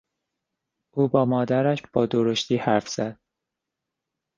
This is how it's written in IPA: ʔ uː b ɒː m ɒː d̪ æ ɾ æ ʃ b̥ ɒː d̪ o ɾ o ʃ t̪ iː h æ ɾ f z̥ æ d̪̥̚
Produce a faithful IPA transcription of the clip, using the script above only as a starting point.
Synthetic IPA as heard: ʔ uː b ɒː m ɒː d̪ æ ɾ æ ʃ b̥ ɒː d̪ o ɾ o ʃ t̪ iː h æ ɾ f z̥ æ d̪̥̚